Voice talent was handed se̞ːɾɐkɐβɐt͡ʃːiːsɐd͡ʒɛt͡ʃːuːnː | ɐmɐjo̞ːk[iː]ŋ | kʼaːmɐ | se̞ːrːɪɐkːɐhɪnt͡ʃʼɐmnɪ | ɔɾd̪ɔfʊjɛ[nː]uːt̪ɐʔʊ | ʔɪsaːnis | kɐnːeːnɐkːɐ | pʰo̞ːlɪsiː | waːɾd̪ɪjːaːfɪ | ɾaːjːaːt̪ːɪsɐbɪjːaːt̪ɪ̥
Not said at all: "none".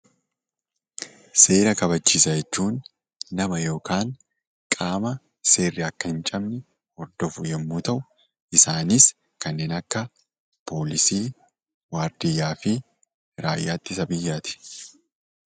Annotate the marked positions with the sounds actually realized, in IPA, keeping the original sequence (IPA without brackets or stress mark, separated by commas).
aː, mː